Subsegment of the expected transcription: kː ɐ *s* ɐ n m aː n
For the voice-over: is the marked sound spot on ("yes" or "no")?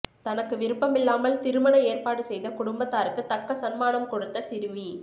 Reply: yes